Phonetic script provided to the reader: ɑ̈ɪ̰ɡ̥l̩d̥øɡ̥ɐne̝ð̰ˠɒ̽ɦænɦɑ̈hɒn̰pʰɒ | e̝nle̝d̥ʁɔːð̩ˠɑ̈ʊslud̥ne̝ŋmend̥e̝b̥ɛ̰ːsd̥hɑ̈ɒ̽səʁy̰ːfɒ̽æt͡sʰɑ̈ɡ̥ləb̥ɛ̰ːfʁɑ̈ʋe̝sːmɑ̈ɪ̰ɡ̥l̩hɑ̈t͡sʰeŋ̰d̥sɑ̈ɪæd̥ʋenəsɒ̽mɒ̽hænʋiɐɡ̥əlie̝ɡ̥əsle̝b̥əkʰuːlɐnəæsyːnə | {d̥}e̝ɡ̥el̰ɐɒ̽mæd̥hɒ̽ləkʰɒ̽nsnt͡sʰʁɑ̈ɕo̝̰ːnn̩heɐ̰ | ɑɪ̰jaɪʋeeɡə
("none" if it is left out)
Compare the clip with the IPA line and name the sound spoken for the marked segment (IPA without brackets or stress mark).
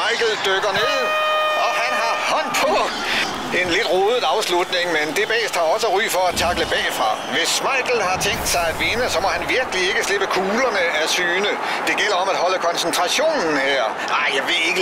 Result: d̥